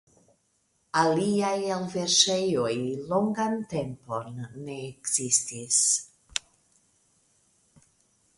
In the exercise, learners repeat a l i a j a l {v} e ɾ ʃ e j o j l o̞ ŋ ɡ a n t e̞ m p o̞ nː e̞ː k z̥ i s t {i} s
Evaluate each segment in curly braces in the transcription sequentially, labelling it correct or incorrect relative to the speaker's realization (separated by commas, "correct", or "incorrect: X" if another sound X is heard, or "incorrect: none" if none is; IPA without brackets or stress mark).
correct, correct